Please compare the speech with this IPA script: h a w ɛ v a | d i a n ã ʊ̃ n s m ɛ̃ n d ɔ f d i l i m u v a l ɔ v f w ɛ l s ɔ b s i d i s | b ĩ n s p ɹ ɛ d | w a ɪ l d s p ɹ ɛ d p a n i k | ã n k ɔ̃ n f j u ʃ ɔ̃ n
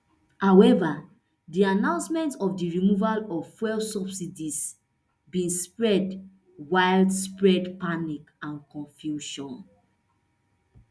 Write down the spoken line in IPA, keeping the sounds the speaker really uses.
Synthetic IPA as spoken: h a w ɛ v a | d i a n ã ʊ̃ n s m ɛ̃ n t ɔ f d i ɹ i m u v a l ɔ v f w ɛ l s ɔ b s i d i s | b ĩ n s p ɹ ɛ d | w a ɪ l d s p ɹ ɛ d p a n i k | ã n k ɔ̃ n f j u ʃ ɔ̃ n

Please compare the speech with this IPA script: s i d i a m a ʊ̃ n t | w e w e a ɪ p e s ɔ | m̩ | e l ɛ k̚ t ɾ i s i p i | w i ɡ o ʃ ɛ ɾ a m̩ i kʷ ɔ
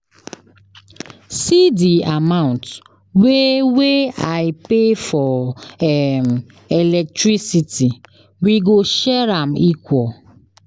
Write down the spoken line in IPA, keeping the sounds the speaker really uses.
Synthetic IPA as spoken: s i d i a m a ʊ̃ n t | w e w e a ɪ p e f ɔ | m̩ | e l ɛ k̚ t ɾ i s i t i | w i ɡ o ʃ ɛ ɾ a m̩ i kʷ ɔ

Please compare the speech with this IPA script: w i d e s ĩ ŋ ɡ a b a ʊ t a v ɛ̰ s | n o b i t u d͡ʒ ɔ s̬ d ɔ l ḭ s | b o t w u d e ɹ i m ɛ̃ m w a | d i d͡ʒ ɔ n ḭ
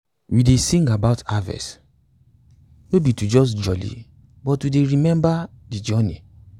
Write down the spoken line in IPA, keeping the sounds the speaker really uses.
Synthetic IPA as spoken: w i d e s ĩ ŋ ɡ a b a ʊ t a v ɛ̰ s | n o b i t u d͡ʒ ɔ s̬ d͡ʒ ɔ l ḭ | b ɔ t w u d e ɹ i m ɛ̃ m b a | d i d͡ʒ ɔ n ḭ

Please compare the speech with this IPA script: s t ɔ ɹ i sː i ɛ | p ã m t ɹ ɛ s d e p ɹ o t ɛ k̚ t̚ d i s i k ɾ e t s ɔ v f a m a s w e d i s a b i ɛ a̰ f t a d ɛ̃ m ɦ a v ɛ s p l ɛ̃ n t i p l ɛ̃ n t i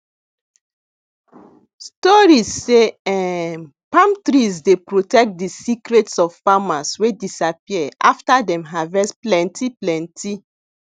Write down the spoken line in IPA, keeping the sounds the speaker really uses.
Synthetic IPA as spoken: s t ɔ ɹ i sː e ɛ | p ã m t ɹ i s d e p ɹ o t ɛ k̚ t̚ d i s i k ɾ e t s ɔ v f a m a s w e d i s a p i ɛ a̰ f t a d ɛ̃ m ɦ a v ɛ s p l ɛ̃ n t i p l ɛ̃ n t i

